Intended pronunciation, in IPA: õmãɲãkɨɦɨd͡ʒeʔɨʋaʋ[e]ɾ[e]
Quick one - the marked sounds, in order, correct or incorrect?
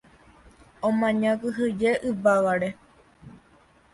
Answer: incorrect: a, correct

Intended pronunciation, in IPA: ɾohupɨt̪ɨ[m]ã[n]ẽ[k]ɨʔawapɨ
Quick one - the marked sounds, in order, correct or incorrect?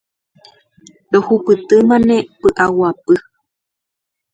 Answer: correct, correct, incorrect: p

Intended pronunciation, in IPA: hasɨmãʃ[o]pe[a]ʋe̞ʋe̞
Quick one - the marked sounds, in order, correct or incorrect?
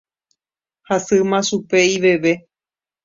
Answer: incorrect: u, incorrect: i

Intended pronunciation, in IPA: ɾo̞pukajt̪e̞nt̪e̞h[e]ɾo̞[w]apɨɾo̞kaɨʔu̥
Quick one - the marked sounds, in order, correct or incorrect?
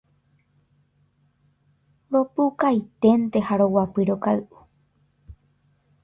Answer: incorrect: a, correct

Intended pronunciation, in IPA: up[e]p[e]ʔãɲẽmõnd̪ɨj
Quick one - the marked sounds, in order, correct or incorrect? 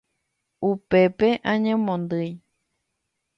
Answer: correct, correct

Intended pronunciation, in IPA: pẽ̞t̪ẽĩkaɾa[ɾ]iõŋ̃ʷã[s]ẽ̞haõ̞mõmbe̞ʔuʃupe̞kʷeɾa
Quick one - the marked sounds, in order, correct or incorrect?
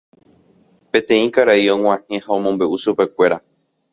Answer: incorrect: none, incorrect: h

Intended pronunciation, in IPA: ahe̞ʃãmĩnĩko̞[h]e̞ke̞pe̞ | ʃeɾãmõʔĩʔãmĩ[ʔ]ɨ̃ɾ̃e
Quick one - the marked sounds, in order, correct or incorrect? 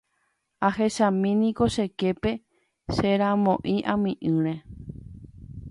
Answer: incorrect: ʃ, correct

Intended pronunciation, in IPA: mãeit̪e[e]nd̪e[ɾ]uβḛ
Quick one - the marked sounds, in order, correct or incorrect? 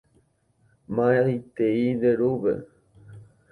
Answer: incorrect: i, correct

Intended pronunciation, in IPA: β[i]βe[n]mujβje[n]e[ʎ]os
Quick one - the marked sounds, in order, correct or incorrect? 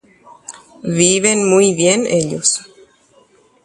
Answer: correct, correct, correct, correct

